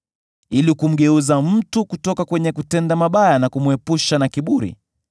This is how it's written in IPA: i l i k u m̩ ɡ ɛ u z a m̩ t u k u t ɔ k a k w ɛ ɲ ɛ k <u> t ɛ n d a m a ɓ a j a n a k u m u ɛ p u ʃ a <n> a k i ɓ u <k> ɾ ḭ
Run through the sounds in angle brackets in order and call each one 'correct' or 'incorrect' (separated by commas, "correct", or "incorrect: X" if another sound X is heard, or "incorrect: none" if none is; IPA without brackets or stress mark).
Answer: correct, correct, incorrect: none